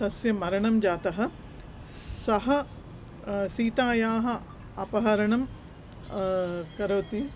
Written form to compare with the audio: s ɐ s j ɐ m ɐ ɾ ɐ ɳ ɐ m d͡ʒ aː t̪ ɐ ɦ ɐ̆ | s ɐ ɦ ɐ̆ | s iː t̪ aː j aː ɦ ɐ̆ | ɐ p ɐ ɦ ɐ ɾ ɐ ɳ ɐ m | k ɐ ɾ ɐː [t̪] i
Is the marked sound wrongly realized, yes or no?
no